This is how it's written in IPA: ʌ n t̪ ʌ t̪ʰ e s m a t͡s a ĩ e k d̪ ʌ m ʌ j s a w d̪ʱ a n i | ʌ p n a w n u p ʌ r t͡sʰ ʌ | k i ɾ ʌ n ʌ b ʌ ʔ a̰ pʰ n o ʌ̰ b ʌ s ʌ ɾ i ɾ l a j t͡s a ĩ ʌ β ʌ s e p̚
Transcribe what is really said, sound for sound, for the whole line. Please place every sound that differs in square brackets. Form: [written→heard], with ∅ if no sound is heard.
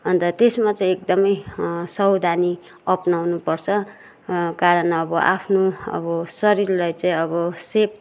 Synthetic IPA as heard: ʌ n t̪ ʌ [t̪ʰ→t̪] e s m a t͡s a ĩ e k d̪ ʌ m ʌ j s [a→ʌ] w d̪ʱ a n i | ʌ p n a w n u p ʌ r t͡sʰ ʌ | k [i→a] ɾ ʌ n ʌ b ʌ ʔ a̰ pʰ n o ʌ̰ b ʌ s ʌ ɾ i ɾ l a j t͡s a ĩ ʌ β ʌ s e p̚